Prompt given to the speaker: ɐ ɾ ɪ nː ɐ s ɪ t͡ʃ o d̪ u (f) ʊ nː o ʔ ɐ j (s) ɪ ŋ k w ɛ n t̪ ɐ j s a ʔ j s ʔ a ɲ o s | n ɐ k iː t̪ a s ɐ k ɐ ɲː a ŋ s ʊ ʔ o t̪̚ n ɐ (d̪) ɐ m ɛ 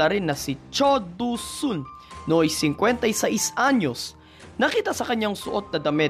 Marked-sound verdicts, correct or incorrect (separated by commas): incorrect, correct, correct